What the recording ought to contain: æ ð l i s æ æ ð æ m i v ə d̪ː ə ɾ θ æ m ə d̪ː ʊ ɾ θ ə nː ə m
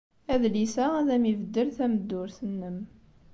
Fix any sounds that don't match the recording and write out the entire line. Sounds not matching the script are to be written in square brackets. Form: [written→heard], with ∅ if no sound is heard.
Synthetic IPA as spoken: æ ð l i s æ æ ð æ m i v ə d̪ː ə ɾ θ æ m ə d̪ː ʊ ɾ θ ə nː ə m